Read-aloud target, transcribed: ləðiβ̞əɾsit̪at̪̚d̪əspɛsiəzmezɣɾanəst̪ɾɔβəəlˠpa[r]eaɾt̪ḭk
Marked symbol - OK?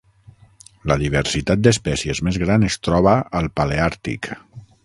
no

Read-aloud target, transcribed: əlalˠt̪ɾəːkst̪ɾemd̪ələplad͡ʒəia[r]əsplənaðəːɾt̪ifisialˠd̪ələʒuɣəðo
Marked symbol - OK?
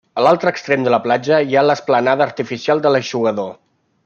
no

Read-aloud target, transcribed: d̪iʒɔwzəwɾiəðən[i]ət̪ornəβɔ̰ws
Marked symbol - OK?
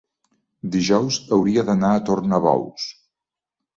no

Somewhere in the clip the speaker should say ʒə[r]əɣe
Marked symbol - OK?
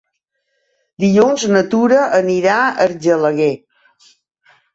no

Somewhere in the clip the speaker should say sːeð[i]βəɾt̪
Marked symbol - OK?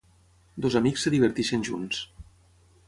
yes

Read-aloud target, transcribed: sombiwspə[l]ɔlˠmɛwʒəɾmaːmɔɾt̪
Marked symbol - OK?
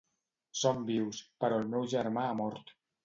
no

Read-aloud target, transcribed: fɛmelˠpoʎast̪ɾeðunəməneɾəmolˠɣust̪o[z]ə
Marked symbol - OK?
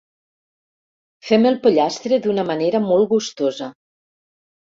yes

